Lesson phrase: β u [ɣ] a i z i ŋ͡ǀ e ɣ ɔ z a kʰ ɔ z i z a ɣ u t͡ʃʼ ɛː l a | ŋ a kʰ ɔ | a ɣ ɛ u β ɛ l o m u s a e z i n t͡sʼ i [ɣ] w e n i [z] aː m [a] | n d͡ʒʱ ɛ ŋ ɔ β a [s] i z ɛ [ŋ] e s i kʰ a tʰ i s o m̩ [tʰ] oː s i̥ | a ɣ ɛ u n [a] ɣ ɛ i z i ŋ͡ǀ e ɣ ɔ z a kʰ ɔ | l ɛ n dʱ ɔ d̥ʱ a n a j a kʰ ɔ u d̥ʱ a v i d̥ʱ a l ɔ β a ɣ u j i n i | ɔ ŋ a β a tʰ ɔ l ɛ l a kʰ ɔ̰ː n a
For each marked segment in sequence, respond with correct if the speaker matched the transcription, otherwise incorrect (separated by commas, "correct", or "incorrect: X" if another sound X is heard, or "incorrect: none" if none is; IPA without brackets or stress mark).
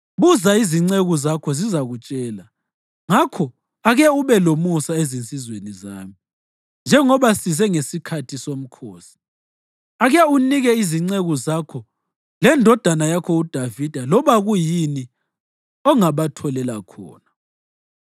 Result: incorrect: z, incorrect: z, correct, incorrect: i, correct, correct, incorrect: kʰ, incorrect: i